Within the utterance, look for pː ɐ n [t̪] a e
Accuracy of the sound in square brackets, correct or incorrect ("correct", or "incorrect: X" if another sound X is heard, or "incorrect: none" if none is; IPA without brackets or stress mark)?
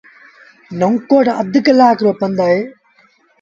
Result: incorrect: d̪